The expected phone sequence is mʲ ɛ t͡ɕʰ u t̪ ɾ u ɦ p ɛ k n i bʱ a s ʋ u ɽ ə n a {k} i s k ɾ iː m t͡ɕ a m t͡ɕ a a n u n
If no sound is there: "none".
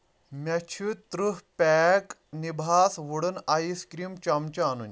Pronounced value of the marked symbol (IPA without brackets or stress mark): none